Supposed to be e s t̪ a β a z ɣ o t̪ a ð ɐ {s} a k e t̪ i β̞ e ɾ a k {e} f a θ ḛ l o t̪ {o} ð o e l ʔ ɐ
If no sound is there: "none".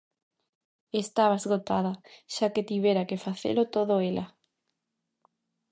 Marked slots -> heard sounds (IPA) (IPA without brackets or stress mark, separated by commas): ʃ, e, o